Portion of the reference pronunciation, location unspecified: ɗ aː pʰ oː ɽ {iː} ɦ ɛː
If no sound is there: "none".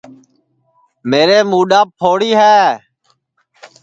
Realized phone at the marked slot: iː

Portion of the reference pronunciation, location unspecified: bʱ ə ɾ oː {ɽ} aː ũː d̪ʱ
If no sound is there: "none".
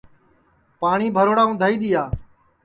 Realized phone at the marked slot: ɽ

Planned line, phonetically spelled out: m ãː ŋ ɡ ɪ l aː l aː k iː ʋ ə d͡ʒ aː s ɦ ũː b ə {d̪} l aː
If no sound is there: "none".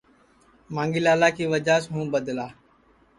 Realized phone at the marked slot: d̪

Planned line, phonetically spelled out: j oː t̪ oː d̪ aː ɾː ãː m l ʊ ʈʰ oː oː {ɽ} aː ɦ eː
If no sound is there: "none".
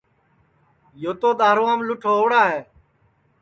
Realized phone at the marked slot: ɽ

